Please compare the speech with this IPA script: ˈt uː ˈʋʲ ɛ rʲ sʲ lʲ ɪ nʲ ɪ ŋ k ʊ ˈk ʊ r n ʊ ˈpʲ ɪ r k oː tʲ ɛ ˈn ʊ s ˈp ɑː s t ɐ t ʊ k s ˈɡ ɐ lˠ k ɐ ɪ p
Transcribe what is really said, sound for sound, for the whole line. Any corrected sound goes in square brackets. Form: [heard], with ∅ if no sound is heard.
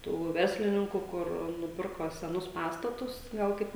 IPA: ˈt uː ˈʋʲ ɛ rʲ sʲ lʲ ɪ nʲ ɪ ŋ k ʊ ˈk ʊ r n ʊ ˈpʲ ɪ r k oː [sʲ] ɛ ˈn ʊ s ˈp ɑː s t ɐ t ʊ [∅] s ˈɡ ɐ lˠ k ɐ ɪ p